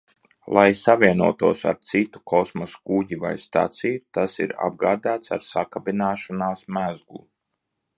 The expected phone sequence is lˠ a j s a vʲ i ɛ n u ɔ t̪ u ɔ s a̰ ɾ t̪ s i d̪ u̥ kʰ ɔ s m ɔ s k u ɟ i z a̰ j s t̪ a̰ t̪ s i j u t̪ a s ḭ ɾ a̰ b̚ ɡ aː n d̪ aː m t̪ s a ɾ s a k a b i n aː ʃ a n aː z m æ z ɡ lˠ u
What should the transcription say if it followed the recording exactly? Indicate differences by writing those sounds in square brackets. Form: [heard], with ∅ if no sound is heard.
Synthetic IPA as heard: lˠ a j s a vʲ i ɛ n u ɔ t̪ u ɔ s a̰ ɾ t̪ s i [t̪] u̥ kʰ ɔ s m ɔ s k u ɟ i [v] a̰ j s t̪ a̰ t̪ s i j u t̪ a s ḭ ɾ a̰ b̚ ɡ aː [∅] d̪ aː [∅] t̪ s a ɾ s a k a b i n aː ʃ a n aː [s] m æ z ɡ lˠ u